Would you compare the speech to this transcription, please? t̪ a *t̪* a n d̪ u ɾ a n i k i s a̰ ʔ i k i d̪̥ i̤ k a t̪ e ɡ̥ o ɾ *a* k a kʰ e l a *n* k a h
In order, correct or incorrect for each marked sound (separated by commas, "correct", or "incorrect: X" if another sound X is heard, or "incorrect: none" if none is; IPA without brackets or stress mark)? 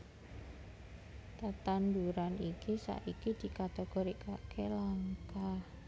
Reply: correct, incorrect: i, incorrect: ŋ